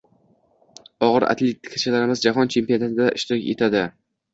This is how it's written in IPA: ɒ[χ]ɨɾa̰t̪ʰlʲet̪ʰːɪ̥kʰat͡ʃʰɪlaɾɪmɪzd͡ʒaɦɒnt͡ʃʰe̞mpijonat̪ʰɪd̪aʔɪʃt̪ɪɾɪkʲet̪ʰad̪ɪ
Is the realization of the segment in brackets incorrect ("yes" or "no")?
yes